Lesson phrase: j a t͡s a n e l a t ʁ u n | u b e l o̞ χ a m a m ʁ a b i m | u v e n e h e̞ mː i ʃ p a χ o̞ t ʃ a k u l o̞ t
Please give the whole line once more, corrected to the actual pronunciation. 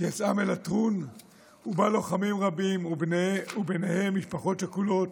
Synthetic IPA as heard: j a t͡s a m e l a t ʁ u n | u b a l o̞ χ a m i m ʁ a b i m | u b e n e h e̞ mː i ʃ p a χ o̞ t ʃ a k u l o̞ t